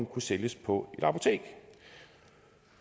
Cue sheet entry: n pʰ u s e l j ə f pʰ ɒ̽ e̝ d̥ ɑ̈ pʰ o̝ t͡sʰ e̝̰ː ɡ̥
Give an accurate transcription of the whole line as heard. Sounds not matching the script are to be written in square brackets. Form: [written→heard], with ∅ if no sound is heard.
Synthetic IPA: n [pʰ→kʰ] u s e l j ə [f→s] pʰ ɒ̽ e̝ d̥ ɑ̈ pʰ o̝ t͡sʰ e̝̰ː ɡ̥